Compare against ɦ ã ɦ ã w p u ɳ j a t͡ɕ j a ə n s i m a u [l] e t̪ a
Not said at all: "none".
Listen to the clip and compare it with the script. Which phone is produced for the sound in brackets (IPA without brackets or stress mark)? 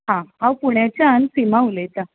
l